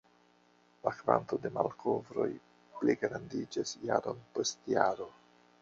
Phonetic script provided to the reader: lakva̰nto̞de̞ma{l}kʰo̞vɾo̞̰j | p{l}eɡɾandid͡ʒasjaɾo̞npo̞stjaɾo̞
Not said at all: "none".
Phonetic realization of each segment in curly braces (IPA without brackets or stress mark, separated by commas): l, l